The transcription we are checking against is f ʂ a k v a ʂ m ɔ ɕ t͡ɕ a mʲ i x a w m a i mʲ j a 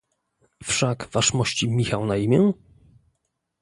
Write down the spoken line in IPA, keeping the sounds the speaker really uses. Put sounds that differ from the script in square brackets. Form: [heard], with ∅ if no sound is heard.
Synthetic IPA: f ʂ a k v a ʂ m ɔ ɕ t͡ɕ [i] mʲ i x a w [n] a i mʲ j [ɛ]